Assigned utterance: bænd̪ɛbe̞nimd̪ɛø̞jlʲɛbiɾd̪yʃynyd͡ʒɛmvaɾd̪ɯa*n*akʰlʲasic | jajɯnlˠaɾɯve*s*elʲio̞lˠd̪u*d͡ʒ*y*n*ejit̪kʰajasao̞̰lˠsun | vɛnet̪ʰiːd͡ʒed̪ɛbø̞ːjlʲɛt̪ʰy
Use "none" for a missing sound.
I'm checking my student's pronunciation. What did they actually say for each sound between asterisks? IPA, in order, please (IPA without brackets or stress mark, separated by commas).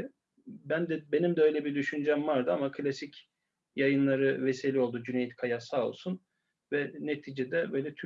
m, s, d͡ʒ, n